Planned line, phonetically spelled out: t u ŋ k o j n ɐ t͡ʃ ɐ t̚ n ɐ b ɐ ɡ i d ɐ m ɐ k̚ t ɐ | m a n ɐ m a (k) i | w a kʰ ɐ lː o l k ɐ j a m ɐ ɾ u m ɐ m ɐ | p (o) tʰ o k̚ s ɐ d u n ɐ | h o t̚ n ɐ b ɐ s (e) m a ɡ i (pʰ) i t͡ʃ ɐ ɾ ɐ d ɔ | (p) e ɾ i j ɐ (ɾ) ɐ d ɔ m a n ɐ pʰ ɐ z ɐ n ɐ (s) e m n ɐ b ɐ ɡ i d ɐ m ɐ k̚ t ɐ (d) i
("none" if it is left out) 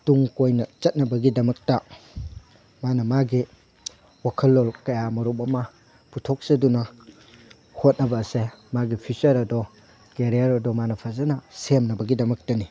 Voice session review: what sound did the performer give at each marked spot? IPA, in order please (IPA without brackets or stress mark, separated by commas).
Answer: ɡ, u, e, pʰ, k, ɾ, s, n